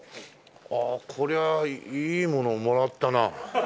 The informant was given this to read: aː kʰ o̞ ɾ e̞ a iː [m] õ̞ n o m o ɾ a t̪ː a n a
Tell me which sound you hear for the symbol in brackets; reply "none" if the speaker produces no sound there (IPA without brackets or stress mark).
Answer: m